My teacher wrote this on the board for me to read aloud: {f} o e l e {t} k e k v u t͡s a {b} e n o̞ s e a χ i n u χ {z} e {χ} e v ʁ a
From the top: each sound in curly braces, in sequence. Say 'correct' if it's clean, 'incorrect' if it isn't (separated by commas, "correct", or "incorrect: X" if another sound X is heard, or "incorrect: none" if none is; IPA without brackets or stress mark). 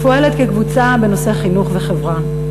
correct, correct, correct, incorrect: v, correct